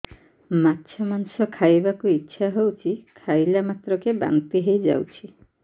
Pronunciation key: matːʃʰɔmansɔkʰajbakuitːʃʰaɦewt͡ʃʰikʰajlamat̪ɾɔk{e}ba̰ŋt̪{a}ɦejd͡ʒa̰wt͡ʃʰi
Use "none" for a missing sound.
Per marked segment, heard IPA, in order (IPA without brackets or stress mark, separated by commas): e, i